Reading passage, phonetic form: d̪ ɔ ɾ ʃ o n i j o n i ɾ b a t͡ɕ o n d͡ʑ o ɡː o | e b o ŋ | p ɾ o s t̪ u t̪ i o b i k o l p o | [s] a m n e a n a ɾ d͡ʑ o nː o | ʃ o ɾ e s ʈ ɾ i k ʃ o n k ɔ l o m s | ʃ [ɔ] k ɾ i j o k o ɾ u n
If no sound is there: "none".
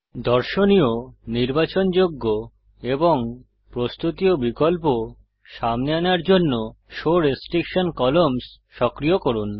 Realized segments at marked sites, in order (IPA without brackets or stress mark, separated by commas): ʃ, ɔ